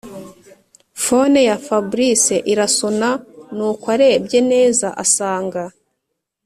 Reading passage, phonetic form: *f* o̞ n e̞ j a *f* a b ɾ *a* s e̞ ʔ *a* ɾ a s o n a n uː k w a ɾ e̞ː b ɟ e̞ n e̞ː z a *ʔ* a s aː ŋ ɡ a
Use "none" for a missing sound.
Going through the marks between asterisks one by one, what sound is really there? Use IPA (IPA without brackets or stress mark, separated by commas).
f, f, i, i, ʔ